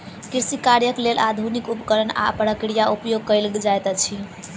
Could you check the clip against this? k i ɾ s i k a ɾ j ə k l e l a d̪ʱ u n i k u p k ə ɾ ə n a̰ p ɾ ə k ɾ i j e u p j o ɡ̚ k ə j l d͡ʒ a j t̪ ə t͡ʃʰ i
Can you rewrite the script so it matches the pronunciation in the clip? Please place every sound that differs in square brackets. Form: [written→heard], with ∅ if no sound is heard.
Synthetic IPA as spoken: k i ɾ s i k a ɾ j ə k l e l a d̪ʱ u n i k u p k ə ɾ ə n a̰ p ɾ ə k ɾ i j [e→a] u p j o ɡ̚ k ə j l d͡ʒ a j t̪ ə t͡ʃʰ i